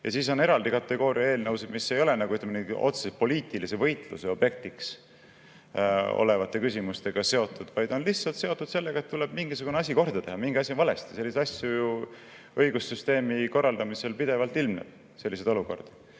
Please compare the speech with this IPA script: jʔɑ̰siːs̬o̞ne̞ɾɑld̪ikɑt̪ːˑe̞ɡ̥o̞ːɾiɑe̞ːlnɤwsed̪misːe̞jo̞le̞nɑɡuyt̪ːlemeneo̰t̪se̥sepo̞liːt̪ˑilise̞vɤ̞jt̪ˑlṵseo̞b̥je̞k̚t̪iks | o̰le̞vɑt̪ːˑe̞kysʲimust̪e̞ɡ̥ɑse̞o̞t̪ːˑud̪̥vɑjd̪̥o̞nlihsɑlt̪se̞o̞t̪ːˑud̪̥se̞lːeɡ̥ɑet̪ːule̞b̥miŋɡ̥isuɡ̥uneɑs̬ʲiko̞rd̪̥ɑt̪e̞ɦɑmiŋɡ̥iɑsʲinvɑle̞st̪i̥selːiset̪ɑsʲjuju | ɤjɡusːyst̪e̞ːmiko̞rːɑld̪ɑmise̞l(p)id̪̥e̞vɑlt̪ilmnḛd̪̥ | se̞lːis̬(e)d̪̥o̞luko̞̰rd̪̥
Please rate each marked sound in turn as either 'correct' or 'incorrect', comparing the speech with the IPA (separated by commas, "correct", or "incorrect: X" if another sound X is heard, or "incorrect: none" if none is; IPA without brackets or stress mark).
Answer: correct, correct